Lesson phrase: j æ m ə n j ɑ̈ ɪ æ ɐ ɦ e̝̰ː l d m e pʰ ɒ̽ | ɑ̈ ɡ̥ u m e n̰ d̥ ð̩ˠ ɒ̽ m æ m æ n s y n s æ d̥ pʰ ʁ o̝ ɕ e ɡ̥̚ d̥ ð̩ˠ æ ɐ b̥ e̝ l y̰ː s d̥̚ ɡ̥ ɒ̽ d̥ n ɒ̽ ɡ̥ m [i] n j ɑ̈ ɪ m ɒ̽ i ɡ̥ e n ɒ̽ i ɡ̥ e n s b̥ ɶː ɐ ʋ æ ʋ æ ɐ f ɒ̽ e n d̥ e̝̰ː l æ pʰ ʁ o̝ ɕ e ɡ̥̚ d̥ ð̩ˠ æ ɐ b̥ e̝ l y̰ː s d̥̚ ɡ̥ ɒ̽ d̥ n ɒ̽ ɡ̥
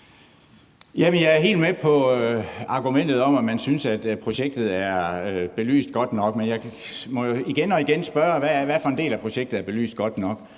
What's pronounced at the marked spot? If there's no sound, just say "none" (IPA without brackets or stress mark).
e